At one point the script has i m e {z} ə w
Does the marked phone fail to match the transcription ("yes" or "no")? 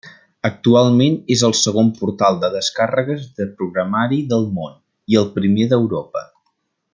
yes